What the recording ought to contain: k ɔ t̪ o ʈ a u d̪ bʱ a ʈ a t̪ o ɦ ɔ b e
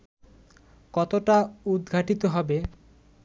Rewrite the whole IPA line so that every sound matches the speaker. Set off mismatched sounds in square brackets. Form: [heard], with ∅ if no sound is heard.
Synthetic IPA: k ɔ t̪ o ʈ a u d̪ [ɡʱ] a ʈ [i] t̪ o ɦ ɔ b e